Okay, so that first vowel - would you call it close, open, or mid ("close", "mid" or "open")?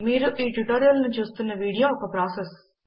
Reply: close